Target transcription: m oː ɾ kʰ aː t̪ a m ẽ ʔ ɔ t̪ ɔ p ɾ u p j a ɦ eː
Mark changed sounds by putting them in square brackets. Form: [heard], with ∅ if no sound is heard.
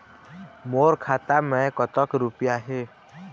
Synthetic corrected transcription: m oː ɾ kʰ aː t̪ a m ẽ [k] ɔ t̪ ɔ [k] ɾ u p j a ɦ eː